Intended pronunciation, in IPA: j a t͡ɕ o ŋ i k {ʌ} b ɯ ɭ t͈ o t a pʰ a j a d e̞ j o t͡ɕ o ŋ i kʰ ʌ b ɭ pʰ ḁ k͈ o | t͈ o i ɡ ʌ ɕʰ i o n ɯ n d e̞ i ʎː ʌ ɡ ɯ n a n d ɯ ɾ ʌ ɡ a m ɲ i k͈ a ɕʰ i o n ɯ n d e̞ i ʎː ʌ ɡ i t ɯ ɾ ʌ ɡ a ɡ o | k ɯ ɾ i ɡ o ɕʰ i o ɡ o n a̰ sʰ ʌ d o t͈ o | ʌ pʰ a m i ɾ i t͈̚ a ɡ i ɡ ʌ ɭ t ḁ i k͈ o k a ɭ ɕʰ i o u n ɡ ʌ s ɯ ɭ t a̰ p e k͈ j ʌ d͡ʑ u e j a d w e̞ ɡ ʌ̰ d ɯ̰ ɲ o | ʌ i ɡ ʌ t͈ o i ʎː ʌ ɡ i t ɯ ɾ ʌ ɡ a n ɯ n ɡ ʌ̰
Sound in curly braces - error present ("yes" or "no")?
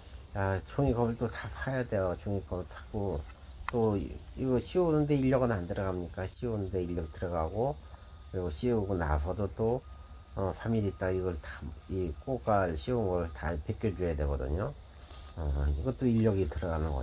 no